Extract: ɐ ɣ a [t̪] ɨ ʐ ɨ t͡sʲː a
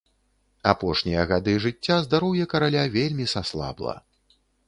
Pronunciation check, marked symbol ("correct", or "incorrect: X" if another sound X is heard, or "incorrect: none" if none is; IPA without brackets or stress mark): incorrect: d̪